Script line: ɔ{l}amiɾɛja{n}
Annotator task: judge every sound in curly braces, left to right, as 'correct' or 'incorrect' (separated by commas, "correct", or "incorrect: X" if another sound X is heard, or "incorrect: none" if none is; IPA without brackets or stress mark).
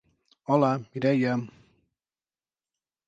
correct, incorrect: m